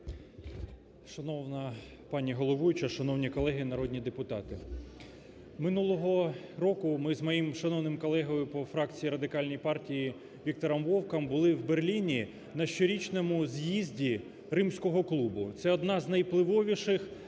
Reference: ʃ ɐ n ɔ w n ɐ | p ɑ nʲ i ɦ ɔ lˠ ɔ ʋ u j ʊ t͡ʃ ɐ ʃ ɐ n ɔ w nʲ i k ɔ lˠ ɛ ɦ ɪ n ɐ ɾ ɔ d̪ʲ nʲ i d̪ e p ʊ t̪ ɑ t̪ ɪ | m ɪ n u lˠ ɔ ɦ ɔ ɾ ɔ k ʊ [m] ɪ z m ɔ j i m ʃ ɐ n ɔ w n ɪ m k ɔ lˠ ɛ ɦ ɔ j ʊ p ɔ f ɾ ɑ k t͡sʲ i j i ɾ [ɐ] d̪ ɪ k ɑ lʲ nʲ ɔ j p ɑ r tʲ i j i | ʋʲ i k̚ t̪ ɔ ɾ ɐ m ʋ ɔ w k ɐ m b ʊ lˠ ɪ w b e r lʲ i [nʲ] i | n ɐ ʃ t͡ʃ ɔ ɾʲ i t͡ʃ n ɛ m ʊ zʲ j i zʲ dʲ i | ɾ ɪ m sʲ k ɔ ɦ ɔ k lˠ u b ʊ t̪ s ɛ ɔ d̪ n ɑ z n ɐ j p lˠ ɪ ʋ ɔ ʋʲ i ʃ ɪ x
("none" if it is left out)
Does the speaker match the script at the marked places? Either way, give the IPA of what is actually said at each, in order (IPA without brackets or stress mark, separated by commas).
m, ɐ, nʲ